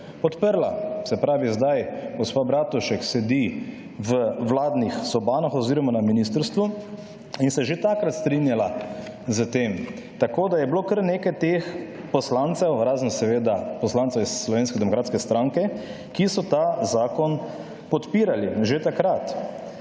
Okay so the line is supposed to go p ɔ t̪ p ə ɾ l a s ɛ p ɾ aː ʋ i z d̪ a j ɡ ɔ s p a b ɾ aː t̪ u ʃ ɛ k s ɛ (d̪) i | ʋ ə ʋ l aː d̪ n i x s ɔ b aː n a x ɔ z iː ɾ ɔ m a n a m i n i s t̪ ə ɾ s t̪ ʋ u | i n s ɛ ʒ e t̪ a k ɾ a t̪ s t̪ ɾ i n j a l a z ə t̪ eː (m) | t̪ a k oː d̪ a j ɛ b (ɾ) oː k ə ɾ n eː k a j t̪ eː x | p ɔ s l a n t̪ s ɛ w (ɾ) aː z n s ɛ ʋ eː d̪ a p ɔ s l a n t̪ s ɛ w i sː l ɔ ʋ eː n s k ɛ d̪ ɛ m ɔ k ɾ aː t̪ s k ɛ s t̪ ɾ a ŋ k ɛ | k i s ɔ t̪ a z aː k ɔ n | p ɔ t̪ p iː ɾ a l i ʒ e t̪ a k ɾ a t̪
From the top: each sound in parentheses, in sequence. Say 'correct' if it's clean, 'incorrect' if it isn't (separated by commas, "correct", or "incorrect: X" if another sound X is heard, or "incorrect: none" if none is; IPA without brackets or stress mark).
correct, correct, incorrect: l, correct